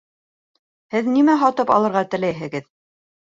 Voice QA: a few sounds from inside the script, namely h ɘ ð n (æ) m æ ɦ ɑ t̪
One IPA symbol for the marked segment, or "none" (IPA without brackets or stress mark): i